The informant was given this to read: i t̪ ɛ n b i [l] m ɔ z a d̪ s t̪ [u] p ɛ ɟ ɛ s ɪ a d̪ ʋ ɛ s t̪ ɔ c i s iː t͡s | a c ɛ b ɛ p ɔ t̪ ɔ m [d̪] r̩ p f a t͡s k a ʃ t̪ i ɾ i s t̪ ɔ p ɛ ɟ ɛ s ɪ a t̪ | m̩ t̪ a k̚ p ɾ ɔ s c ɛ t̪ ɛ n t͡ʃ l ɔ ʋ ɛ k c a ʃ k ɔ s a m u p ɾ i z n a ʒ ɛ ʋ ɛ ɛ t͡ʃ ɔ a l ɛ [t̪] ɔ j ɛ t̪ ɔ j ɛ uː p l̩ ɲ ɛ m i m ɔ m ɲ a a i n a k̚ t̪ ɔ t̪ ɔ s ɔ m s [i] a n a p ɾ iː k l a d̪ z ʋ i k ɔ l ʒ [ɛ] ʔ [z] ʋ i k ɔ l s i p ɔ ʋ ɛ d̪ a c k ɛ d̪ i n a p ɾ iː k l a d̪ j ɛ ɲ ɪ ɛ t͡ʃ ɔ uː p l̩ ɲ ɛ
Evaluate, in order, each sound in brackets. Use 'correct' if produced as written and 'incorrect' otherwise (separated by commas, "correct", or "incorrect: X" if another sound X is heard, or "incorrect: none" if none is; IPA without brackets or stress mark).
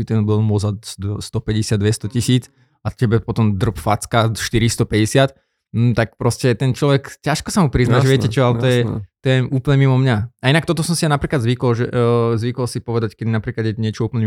correct, incorrect: ɔ, correct, correct, correct, correct, correct